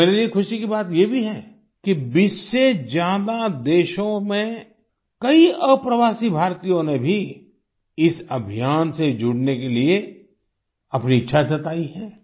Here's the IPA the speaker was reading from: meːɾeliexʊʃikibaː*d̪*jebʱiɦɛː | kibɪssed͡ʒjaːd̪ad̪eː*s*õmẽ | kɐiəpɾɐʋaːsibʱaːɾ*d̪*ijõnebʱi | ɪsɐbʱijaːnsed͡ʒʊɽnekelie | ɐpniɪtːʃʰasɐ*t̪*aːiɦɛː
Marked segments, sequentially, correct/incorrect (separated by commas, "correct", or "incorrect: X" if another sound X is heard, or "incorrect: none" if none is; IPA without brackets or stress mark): incorrect: t̪, incorrect: ʃ, incorrect: t̪, correct